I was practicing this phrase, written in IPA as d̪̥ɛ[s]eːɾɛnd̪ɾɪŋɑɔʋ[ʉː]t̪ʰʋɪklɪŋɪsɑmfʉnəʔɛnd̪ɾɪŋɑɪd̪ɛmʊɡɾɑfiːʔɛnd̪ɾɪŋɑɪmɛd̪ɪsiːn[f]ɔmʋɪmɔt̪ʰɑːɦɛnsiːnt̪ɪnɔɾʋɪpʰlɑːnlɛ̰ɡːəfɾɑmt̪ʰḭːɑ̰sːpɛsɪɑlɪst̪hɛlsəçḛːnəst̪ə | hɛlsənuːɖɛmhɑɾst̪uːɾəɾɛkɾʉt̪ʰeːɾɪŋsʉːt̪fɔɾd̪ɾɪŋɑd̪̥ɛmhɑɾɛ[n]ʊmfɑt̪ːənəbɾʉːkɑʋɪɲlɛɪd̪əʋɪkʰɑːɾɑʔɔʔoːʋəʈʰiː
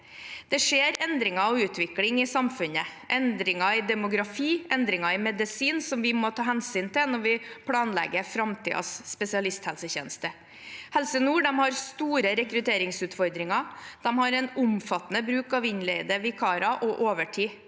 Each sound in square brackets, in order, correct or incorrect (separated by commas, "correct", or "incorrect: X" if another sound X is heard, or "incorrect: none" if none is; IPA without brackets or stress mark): incorrect: ʂ, correct, incorrect: s, correct